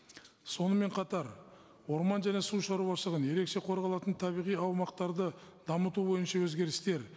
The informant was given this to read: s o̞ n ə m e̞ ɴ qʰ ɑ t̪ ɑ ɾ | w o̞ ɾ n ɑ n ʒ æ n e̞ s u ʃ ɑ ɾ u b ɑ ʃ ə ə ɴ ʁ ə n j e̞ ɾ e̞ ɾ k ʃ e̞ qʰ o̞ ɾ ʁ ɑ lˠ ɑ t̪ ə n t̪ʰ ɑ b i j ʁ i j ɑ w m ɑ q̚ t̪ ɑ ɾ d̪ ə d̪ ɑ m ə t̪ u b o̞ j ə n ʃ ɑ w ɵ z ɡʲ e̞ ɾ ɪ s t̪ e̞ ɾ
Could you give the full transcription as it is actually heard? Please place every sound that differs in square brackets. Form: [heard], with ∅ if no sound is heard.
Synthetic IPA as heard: s o̞ n ə m e̞ ɴ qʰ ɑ t̪ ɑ ɾ | w o̞ ɾ [m] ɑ n ʒ æ n e̞ s u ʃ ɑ ɾ u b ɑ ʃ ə ə [∅] ʁ ə n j e̞ ɾ e̞ [∅] k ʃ e̞ qʰ o̞ ɾ ʁ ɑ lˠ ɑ t̪ ə n t̪ʰ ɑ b i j ʁ i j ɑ w m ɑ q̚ t̪ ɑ ɾ d̪ ə d̪ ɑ m ə t̪ u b o̞ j ə n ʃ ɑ w ɵ z ɡʲ e̞ ɾ ɪ s t̪ e̞ ɾ